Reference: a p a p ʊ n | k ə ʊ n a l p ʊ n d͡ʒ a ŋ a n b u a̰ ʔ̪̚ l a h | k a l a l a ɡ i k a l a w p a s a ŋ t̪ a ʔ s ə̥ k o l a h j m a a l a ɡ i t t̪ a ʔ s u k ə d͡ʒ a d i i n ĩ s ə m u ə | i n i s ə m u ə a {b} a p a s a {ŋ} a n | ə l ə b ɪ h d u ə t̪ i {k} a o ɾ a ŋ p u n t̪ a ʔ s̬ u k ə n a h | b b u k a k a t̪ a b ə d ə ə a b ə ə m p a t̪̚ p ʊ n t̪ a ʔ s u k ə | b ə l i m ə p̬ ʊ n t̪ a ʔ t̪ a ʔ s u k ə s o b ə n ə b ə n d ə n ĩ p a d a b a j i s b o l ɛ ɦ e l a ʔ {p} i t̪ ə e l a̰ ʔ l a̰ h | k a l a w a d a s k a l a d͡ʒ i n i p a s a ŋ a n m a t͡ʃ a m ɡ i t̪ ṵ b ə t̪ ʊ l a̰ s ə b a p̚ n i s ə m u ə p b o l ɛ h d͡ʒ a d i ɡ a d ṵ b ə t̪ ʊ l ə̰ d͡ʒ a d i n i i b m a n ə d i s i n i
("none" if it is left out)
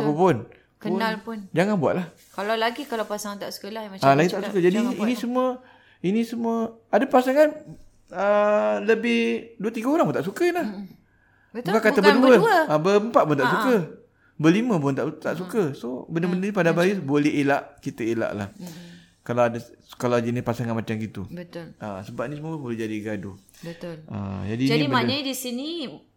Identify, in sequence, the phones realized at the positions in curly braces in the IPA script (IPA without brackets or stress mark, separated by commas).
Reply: d, ŋ, ɡ, k